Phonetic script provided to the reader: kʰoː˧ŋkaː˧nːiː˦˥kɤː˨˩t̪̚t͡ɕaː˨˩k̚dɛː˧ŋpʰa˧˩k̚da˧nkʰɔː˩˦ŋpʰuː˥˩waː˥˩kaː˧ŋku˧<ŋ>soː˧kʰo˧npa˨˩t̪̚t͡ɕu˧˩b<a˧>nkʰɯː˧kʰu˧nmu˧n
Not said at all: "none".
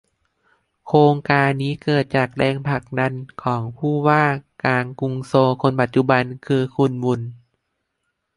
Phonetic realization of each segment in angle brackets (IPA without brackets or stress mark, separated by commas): ŋ, a˧